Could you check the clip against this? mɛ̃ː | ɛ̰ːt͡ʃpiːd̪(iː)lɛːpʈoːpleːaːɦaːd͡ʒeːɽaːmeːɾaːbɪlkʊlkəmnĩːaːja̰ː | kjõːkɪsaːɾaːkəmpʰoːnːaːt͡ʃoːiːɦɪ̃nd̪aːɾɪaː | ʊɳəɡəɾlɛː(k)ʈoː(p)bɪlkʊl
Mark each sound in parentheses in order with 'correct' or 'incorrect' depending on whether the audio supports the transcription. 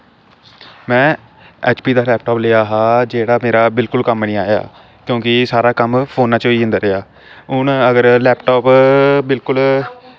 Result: incorrect, incorrect, correct

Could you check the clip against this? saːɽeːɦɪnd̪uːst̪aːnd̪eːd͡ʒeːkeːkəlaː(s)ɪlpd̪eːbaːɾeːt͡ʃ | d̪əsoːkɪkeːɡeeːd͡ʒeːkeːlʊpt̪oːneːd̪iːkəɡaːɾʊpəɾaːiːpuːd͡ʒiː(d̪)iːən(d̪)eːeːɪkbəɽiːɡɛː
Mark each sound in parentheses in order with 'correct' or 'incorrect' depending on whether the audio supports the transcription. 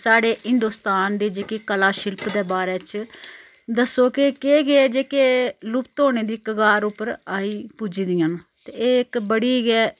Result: incorrect, correct, incorrect

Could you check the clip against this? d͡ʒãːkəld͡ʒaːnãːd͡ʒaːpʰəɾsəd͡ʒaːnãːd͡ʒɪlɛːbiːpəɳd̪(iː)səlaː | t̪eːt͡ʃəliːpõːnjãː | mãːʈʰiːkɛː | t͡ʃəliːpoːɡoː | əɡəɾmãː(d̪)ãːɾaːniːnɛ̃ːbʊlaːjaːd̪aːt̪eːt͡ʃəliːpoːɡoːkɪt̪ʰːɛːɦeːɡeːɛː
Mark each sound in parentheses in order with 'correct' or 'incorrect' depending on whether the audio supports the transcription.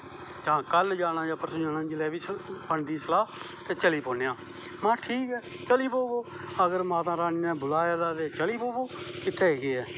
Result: correct, incorrect

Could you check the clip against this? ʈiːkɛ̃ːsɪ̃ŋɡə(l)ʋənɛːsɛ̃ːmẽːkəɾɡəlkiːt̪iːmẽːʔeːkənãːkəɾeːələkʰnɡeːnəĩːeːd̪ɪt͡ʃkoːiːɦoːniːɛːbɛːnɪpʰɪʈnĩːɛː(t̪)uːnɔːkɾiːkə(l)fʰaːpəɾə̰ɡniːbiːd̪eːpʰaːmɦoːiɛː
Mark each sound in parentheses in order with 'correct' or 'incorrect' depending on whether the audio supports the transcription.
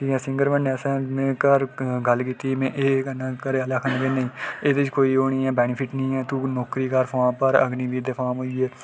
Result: incorrect, correct, incorrect

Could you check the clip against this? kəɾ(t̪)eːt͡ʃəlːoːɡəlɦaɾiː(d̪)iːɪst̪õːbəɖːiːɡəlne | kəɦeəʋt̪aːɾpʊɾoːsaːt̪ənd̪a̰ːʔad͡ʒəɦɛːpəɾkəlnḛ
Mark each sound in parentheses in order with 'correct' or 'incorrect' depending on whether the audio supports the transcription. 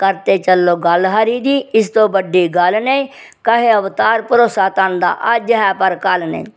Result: correct, correct

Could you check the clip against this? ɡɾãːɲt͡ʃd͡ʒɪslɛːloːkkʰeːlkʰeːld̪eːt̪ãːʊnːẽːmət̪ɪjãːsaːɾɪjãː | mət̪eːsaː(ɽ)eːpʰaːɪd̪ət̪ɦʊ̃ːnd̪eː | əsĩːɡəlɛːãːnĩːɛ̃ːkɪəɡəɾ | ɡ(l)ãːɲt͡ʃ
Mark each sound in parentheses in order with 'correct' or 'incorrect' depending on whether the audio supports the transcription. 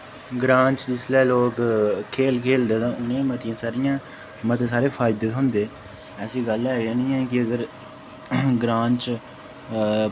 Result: incorrect, incorrect

